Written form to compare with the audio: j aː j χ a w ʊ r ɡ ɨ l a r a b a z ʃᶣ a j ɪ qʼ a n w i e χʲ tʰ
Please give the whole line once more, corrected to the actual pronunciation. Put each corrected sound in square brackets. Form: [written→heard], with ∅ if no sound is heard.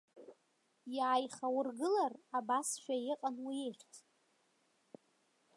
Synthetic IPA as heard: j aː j χ a w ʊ r ɡ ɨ l a r a b a [z→s] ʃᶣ a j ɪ qʼ a n w i e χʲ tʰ